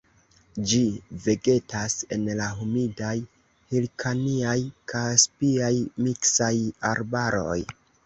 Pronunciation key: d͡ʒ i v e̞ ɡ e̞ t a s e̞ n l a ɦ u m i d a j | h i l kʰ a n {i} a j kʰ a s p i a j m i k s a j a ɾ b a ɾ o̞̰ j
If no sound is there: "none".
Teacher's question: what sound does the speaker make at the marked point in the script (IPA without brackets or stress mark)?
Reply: i